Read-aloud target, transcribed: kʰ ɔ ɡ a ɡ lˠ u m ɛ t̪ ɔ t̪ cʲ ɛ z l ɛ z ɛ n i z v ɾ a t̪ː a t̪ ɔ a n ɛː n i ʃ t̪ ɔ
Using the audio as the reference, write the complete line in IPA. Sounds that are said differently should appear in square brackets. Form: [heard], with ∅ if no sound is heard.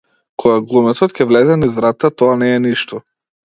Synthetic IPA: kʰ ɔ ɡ a ɡ lˠ u m ɛ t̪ ɔ t̪ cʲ ɛ [v] l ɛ z ɛ n i z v ɾ a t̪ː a t̪ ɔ a n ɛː n i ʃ t̪ ɔ